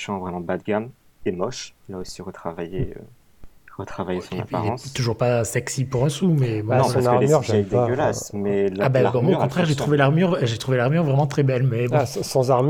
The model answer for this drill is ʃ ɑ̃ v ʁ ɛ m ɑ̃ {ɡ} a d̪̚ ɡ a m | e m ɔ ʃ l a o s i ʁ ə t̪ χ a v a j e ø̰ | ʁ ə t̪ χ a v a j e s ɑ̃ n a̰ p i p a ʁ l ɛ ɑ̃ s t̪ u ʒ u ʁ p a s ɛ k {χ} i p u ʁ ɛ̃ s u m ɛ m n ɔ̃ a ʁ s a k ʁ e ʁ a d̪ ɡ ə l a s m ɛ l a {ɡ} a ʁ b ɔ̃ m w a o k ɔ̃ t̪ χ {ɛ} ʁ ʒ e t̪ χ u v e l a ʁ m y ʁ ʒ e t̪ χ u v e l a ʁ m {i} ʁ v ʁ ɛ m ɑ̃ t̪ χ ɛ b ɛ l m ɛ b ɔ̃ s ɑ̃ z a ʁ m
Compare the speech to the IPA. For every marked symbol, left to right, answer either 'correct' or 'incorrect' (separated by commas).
incorrect, incorrect, incorrect, correct, incorrect